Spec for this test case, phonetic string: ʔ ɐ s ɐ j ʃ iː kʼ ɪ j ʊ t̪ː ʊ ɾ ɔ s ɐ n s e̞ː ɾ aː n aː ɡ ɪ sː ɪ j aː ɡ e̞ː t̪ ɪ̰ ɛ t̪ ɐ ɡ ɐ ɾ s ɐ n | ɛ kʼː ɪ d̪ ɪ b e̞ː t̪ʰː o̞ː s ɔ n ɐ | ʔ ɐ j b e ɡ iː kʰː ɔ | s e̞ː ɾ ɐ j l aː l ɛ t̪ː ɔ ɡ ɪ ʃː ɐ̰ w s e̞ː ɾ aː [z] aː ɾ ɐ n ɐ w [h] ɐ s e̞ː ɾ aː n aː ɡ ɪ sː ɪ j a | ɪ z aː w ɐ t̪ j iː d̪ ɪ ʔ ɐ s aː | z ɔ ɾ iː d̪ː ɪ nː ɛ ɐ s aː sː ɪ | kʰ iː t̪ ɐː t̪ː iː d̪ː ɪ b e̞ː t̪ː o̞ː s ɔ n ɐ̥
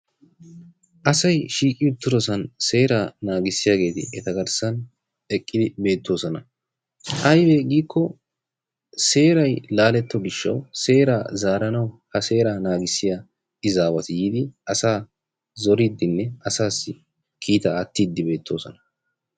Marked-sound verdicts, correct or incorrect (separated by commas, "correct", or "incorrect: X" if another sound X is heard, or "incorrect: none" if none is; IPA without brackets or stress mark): correct, correct